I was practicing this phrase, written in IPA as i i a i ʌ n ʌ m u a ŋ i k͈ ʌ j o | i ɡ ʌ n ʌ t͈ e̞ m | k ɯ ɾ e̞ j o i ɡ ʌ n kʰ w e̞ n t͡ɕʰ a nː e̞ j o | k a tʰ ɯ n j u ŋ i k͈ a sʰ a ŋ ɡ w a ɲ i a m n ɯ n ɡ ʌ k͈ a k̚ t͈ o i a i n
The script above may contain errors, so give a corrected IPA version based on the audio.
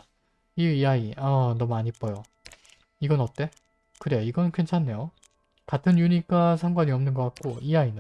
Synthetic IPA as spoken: i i a i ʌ n ʌ m u a ɲ i p͈ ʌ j o | i ɡ ʌ n ʌ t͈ e̞ | k ɯ ɾ e̞ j o i ɡ ʌ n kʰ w e̞ n t͡ɕʰ a nː e̞ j o | k a tʰ ɯ n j u ɲ i k͈ a sʰ a ŋ ɡ w a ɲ i ʌ m n ɯ n ɡ ʌ k͈ a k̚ k͈ o i a i n

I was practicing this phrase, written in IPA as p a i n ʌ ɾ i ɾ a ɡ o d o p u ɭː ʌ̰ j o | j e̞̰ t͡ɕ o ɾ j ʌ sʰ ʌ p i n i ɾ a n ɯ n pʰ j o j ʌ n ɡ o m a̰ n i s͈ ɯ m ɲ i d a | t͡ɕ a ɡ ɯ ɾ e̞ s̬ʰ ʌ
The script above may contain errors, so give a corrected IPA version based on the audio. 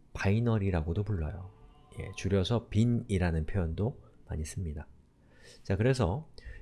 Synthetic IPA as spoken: p a i n ʌ ɾ i ɾ a ɡ o d o p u ɭː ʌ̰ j o | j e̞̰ t͡ɕ u ɾ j ʌ sʰ ʌ p i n i ɾ a n ɯ n pʰ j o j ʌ n d o m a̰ ɲ i s͈ ɯ m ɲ i d a | t͡ɕ a k ɯ ɾ e̞ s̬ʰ ʌ

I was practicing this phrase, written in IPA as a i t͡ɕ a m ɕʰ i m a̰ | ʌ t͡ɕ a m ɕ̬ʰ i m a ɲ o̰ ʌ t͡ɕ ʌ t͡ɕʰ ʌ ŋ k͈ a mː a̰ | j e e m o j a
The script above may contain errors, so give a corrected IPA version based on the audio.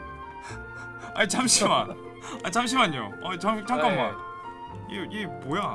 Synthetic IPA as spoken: a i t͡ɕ a m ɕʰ i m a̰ | a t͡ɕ a m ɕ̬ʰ i m a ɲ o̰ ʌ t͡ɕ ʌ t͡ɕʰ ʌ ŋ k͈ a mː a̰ | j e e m o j a

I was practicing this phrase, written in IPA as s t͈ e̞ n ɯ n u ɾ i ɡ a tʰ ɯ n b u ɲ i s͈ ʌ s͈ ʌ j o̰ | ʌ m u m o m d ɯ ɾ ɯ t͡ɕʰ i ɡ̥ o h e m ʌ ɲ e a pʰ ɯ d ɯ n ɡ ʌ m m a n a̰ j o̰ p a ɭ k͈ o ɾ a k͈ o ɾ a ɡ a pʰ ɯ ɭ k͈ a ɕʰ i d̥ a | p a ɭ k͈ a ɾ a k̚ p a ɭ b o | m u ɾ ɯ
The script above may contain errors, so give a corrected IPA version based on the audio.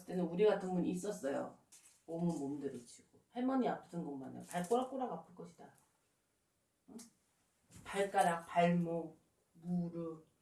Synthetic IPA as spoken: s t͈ e̞ n ɯ n u ɾ i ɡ a tʰ ɯ n b u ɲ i s͈ ʌ s͈ ʌ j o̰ | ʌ m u m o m d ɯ ɾ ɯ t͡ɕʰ i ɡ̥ o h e m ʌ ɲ i a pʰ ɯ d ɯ n ɡ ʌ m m a n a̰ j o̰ p a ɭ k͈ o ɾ a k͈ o ɾ a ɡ a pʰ ɯ ɭ k͈ ʌ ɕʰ i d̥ a | p a ɭ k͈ a ɾ a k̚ p a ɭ m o | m u ɾ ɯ

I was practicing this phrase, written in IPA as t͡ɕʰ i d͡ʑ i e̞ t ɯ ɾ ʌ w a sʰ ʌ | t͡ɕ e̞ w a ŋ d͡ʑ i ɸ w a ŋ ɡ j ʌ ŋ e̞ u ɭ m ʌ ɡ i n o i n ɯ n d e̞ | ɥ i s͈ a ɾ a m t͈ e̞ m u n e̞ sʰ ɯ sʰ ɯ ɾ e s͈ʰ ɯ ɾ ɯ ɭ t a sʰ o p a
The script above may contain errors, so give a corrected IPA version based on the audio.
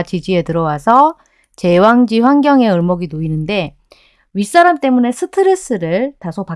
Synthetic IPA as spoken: t͡ɕ i d͡ʑ i e̞ t ɯ ɾ ʌ w a sʰ ʌ | t͡ɕ e̞ w a ŋ d͡ʑ i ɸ w a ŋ ɡ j ʌ ŋ e̞ ɯ ɭ m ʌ ɡ i n o i n ɯ n d e̞ | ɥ i s͈ a ɾ a m t͈ e̞ m u n e̞ sʰ ɯ tʰ ɯ ɾ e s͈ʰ ɯ ɾ ɯ ɭ t a sʰ o p a

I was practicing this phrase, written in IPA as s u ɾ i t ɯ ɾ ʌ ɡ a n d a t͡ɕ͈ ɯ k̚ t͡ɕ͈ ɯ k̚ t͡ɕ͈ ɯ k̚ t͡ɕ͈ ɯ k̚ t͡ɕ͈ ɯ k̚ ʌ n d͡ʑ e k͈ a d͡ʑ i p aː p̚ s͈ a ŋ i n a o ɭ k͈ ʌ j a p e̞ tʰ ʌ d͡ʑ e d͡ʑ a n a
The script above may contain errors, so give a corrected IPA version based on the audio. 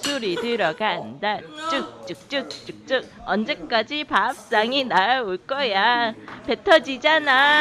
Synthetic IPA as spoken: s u ɾ i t ɯ ɾ ʌ ɡ a n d a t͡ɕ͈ ɯ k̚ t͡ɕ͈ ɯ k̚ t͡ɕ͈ ɯ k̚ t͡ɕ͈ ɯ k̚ t͡ɕ͈ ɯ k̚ ʌ n d͡ʑ e k͈ a d͡ʑ i p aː p̚ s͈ a ŋ i n a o ɭ k͈ ʌ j a p e̞ tʰ ʌ d͡ʑ i d͡ʑ a n a

